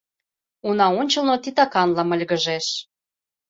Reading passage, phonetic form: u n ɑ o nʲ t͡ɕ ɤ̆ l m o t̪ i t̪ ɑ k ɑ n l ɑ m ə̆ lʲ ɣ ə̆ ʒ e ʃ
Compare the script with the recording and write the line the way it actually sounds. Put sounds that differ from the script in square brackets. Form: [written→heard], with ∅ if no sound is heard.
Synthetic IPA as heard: u n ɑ o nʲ t͡ɕ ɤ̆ l [m→n] o t̪ i t̪ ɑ k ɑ n l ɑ m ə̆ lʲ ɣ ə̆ ʒ e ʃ